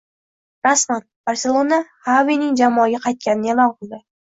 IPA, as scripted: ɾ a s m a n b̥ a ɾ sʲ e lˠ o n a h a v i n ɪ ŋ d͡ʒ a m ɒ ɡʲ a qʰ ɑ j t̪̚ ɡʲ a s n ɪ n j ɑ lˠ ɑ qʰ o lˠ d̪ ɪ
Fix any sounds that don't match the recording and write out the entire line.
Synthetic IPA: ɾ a s m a n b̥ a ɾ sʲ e lˠ o n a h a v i n ɪ ŋ d͡ʒ a m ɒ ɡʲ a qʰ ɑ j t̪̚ kʲ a n ɪ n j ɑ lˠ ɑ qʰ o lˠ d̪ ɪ